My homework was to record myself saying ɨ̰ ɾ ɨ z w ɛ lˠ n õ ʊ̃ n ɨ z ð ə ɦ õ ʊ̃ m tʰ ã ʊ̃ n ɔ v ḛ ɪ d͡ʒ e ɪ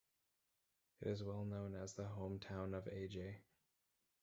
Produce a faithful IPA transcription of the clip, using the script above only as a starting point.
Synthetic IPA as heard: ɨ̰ ɾ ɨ z w ɛ lˠ n õ ʊ̃ n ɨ z ð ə ɦ õ ʊ̃ m tʰ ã ʊ̃ n ʌ v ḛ ɪ d͡ʒ e ɪ